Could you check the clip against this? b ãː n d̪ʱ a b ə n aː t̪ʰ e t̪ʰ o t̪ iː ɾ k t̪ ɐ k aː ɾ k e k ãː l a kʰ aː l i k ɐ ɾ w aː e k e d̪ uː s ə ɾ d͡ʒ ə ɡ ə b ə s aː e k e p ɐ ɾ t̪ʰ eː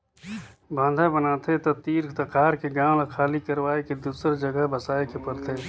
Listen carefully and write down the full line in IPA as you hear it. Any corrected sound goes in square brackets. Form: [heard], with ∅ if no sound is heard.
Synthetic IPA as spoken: b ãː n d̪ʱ a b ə n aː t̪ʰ e [t̪] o t̪ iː ɾ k t̪ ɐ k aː ɾ k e [ɡ] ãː l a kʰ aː l i k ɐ ɾ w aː e k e d̪ uː s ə ɾ d͡ʒ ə ɡ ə b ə s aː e k e p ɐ ɾ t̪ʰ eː